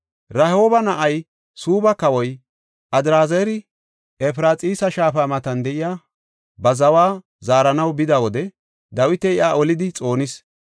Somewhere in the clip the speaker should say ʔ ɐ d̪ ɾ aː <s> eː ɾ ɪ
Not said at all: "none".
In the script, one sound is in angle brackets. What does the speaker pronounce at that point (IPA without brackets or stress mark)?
z